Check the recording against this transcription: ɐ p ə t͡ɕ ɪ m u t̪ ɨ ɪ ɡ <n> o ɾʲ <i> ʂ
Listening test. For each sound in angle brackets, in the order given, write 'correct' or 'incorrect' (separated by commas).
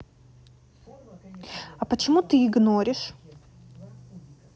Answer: correct, incorrect